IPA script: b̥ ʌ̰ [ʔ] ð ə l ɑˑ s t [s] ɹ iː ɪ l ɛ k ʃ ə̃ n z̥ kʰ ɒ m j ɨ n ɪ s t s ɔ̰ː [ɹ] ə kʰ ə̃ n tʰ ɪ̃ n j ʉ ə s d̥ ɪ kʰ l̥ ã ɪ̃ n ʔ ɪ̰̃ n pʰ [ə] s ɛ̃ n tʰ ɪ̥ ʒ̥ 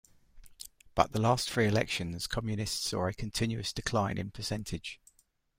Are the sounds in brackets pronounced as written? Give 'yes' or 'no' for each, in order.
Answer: yes, no, yes, yes

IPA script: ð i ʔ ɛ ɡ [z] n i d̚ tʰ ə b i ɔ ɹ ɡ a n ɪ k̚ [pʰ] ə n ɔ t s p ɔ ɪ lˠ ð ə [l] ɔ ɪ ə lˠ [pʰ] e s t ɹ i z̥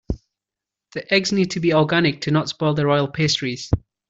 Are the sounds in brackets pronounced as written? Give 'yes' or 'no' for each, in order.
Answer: yes, no, no, yes

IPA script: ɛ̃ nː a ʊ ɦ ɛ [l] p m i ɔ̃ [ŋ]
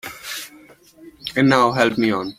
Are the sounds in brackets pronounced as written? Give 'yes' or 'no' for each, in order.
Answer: yes, no

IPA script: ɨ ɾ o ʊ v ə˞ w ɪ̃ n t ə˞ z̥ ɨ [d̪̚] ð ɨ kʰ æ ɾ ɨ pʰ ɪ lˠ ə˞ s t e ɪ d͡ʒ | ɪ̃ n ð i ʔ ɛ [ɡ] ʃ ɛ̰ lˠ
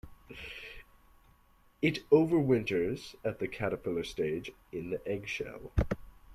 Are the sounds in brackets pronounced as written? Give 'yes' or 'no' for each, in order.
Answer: no, yes

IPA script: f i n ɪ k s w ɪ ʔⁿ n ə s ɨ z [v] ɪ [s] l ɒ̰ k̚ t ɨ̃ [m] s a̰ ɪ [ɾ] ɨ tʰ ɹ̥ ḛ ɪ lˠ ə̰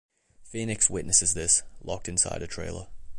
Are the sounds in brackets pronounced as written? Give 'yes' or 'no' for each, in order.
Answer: no, yes, no, yes

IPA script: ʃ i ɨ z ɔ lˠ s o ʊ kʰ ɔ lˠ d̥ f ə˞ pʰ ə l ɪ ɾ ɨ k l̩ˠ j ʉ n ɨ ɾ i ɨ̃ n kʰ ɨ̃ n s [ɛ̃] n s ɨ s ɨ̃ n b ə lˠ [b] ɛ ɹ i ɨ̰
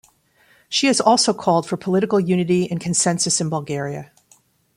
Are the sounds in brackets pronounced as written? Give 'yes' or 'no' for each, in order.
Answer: yes, no

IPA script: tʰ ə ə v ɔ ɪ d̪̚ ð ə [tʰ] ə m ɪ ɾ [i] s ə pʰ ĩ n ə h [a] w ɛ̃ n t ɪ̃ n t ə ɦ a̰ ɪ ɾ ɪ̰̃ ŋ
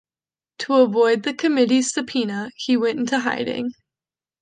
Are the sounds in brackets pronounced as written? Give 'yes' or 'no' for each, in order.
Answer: no, yes, no

